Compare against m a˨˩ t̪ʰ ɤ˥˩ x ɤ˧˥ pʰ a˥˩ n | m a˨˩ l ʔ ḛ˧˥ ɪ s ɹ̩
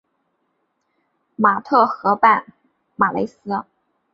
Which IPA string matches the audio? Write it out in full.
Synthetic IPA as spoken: m a˨˩ t̪ʰ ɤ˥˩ x ɤ˧˥ p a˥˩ n | m a˨˩ l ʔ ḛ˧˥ ɪ s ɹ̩